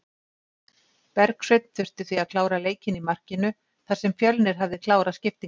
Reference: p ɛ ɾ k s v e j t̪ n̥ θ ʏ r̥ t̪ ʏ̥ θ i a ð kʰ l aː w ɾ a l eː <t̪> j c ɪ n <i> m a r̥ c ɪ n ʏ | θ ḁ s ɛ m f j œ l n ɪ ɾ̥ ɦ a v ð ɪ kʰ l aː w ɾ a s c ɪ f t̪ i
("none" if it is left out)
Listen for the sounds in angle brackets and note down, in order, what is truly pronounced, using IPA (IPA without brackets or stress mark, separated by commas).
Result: none, i